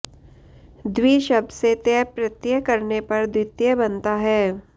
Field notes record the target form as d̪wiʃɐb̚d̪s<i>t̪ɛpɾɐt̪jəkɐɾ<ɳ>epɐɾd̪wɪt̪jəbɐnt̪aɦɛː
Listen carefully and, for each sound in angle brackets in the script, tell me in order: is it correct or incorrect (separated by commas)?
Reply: incorrect, incorrect